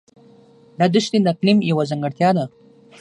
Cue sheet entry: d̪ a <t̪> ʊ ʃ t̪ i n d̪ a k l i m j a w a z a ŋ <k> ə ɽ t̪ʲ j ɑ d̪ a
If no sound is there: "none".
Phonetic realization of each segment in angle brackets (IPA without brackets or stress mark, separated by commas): d̪, ɡ